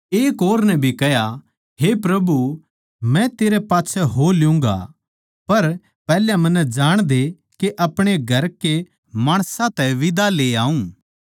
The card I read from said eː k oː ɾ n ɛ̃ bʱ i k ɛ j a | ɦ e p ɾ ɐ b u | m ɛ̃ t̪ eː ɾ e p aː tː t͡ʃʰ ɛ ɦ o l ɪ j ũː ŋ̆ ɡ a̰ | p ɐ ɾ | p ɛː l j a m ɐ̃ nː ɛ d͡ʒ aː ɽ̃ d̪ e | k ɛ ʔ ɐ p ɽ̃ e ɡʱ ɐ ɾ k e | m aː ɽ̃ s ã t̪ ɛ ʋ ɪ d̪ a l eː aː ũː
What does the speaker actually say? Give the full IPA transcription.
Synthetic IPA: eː k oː ɾ n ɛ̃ bʱ i k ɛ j a | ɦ e p ɾ ɐ b u | m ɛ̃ t̪ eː ɾ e p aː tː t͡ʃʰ ɛ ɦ o l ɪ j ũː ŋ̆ ɡ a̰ | p ɐ ɾ | p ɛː l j a m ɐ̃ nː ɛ d͡ʒ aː ɽ̃ d̪ e | k e ʔ ɐ p ɽ̃ e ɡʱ ɐ ɾ k e | m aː ɽ̃ s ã t̪ ɛ ʋ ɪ d̪ a l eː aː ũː